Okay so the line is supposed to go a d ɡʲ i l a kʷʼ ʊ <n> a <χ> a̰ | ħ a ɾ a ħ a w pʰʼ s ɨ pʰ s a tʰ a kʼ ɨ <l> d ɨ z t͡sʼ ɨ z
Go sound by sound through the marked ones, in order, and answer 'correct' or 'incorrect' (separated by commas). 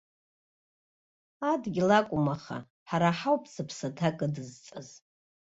incorrect, correct, incorrect